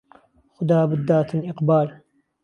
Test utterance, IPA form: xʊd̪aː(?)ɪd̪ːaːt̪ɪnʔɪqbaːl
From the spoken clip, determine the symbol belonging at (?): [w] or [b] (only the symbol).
b